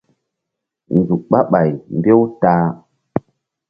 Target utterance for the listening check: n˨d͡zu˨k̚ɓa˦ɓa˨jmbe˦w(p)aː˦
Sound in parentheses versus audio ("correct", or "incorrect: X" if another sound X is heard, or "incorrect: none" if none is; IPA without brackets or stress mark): incorrect: t